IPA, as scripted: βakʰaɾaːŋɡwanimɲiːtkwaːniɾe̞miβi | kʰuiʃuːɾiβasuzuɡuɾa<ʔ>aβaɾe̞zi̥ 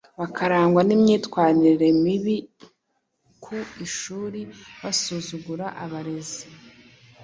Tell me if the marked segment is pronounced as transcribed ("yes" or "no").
yes